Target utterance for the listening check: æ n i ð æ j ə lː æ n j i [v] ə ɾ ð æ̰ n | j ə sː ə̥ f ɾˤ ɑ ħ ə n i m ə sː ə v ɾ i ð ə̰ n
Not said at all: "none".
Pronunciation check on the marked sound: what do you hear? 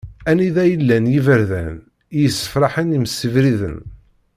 v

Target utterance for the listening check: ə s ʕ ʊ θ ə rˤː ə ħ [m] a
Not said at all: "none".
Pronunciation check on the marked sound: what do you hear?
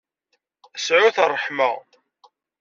m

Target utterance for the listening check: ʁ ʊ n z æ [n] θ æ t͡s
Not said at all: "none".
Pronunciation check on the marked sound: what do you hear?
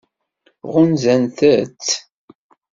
n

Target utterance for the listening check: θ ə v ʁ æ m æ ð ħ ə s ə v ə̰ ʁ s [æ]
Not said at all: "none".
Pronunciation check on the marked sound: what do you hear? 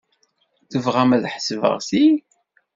i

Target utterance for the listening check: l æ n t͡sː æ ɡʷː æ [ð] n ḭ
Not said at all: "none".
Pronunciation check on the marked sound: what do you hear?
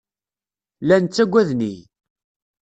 ð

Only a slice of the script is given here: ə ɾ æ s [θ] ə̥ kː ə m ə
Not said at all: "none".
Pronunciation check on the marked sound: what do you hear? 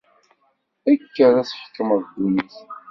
ħ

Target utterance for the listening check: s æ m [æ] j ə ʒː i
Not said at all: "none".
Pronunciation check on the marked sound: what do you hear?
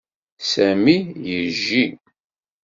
i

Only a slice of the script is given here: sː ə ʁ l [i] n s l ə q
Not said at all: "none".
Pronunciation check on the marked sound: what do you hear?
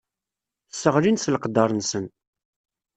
i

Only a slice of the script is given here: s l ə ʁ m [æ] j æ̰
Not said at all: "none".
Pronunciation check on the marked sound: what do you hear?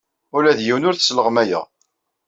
æ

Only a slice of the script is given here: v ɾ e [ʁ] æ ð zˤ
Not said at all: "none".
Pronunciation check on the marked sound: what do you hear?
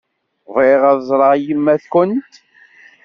ʁ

